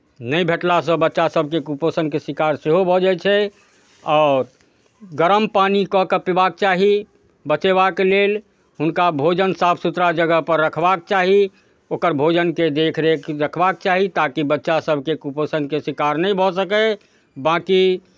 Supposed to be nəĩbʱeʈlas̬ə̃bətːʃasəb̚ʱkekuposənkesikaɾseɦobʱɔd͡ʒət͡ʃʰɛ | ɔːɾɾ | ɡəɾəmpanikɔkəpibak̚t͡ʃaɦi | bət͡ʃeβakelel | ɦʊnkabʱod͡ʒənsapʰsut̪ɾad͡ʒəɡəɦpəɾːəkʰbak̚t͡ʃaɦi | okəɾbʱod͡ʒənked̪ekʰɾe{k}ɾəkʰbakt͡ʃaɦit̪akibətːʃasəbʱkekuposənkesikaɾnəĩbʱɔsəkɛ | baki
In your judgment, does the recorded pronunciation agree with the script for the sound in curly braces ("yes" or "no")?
yes